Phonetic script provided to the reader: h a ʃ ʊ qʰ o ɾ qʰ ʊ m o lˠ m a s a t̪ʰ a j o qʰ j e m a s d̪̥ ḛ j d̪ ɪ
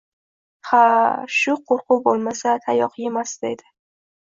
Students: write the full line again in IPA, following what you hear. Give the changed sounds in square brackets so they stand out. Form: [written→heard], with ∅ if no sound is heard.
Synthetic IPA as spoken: h a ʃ ʊ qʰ o ɾ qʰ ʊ [m→b] o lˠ m a s a t̪ʰ a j [o→ɒ] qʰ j e m a s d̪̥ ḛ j d̪ ɪ